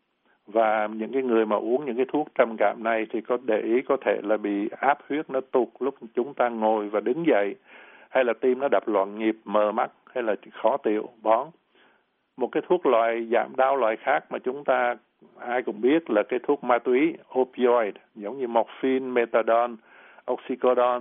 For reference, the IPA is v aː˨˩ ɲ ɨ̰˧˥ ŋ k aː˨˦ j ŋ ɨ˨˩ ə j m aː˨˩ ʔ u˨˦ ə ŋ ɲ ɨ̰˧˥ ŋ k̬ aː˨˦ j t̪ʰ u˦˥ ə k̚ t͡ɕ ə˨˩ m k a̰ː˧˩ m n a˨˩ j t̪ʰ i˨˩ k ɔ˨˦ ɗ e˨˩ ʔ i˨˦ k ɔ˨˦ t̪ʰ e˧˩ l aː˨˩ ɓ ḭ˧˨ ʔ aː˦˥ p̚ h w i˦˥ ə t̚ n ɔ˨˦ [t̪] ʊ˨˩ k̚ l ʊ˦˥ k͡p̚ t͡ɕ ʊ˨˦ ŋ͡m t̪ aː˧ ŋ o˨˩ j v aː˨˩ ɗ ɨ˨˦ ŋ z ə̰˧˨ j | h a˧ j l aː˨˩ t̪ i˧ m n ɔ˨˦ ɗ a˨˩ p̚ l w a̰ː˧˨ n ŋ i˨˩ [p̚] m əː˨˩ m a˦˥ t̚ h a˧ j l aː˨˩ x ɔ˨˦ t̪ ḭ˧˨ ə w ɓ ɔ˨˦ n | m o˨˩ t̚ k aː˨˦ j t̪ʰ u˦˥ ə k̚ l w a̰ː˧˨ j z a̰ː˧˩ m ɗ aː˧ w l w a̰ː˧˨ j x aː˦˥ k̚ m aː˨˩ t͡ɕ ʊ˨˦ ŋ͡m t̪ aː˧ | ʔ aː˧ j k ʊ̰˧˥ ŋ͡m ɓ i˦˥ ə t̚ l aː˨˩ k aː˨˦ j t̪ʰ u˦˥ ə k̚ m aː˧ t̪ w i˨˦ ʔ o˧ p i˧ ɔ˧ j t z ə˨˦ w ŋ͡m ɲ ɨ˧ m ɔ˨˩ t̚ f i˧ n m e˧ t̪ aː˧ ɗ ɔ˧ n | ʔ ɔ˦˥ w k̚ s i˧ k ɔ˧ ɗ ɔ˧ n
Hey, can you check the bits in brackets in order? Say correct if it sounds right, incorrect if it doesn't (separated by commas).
correct, correct